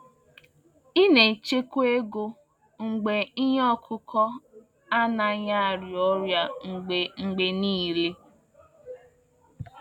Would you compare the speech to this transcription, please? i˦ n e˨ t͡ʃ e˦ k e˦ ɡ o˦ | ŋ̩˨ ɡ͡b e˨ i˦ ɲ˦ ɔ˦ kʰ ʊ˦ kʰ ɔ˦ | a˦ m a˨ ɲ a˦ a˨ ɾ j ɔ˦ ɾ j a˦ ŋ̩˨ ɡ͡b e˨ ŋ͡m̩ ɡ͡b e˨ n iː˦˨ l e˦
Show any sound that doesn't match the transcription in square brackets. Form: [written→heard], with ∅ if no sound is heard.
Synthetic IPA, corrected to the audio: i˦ n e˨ t͡ʃ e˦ k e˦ ɡ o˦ | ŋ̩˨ ɡ͡b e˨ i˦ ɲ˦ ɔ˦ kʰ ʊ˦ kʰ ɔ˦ | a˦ [m→n] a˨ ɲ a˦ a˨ ɾ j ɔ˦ ɾ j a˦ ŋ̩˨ ɡ͡b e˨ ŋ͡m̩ ɡ͡b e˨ n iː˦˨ l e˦